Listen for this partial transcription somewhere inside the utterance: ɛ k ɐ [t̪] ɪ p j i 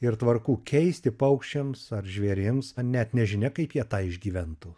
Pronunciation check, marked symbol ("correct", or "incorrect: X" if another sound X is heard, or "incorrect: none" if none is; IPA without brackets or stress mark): incorrect: none